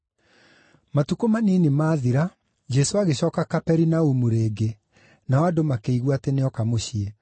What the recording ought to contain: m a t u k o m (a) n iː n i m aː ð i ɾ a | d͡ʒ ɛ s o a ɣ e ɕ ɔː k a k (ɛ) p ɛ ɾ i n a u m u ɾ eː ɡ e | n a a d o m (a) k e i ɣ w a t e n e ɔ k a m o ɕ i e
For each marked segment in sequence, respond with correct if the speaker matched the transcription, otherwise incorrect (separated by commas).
correct, incorrect, correct